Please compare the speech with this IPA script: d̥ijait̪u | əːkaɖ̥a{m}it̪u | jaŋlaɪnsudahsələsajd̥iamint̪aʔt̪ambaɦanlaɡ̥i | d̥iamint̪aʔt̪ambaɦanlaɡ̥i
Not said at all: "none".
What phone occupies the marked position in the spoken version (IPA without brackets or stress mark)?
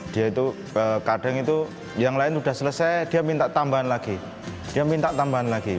ŋ